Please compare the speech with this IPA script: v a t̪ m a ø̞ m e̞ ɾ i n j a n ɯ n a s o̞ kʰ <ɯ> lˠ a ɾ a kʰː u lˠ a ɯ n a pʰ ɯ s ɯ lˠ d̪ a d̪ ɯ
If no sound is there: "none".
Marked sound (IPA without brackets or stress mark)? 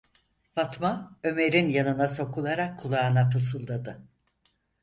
u